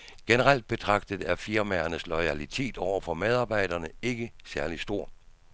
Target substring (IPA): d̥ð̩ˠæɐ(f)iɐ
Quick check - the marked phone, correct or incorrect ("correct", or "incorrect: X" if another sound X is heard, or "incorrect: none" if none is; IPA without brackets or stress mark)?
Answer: correct